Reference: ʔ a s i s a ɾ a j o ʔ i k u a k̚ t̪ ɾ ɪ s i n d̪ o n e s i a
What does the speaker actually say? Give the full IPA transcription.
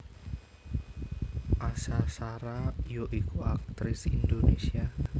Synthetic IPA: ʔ a s a s a ɾ a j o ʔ i k u a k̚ t̪ ɾ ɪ s i n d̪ o n e s i a